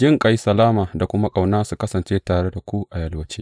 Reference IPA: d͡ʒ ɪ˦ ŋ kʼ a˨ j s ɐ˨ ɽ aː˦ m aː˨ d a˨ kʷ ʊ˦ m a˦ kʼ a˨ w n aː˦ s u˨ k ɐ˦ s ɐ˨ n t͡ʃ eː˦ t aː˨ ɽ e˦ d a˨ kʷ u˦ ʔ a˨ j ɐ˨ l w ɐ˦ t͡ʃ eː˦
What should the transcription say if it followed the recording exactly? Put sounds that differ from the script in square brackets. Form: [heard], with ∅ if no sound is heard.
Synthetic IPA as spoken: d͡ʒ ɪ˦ ŋ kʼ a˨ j s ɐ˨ [l] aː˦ m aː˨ d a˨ kʷ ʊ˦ m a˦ kʼ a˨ w n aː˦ s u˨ k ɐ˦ s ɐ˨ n t͡ʃ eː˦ t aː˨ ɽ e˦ d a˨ kʷ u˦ ʔ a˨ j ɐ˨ l w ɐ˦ t͡ʃ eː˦